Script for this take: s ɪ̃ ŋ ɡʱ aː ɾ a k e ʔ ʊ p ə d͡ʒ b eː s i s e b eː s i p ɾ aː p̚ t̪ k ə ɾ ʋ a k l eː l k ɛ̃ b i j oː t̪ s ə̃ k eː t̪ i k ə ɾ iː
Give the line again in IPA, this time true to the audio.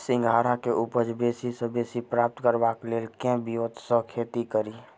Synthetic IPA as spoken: s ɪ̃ ŋ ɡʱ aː ɾ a k e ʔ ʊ p ə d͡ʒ b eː s i s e b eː s i p ɾ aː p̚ t̪ k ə ɾ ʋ a k l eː l k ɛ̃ b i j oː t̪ s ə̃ kʰ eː t̪ i k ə ɾ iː